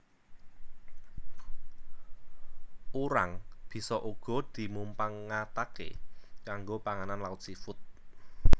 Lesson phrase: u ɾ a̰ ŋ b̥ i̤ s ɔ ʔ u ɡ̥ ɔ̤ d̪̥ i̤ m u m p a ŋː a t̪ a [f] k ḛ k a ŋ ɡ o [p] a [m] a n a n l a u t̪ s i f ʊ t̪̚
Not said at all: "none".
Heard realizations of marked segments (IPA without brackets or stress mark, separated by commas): none, p, ŋ